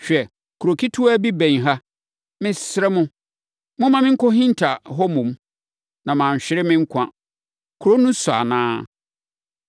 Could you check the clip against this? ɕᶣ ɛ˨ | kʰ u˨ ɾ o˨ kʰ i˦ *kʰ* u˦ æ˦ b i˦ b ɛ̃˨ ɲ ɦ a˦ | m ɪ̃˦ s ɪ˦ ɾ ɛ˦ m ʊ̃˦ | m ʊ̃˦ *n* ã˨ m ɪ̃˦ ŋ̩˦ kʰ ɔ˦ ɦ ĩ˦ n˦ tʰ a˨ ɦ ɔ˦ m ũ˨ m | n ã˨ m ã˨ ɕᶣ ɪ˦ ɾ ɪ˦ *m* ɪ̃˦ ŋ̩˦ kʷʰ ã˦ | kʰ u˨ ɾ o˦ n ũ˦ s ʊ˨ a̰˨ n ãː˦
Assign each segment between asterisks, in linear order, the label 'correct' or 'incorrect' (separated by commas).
incorrect, incorrect, correct